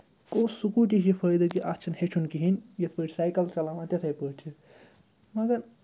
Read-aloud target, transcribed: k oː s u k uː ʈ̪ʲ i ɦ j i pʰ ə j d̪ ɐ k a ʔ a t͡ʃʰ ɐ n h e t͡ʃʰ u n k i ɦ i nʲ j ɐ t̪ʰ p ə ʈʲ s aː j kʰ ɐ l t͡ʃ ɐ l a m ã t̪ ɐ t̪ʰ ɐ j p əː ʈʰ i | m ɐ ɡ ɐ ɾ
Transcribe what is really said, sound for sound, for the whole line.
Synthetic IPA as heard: k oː s u k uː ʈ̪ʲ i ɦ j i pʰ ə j d̪ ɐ k i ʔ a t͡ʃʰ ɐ n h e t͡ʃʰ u n k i ɦ i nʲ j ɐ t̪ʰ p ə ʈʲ s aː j k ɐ l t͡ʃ ɐ l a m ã t̪ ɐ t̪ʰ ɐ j p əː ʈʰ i | m ɐ ɡ ɐ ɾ